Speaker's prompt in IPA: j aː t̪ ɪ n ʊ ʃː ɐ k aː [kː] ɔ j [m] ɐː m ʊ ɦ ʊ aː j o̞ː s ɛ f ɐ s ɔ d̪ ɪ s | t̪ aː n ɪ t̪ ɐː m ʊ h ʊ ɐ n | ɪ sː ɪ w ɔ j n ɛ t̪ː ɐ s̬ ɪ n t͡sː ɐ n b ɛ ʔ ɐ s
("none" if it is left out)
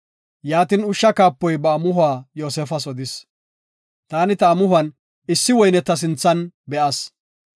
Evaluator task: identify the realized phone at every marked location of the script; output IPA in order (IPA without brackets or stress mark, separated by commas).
pː, b